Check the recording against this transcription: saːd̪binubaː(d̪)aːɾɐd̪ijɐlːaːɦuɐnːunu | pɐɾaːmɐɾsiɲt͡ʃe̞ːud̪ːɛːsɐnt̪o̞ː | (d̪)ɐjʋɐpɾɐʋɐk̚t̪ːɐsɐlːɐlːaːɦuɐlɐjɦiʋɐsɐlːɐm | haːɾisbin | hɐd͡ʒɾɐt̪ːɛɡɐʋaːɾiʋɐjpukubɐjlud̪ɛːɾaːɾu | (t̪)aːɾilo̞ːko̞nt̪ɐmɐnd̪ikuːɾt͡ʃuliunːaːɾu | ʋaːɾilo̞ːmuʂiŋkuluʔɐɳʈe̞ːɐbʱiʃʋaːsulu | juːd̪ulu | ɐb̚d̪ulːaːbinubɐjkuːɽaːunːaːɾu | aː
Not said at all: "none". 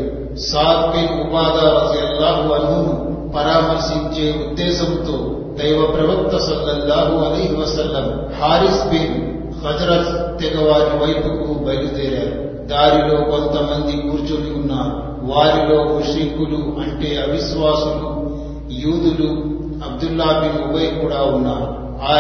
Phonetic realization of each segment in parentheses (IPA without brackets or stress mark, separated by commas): d̪, d̪, d̪